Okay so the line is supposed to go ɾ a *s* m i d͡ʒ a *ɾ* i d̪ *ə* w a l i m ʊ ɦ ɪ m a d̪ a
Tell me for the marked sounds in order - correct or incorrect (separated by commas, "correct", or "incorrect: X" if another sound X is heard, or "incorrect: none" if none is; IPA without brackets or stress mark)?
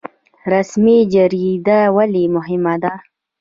correct, correct, incorrect: a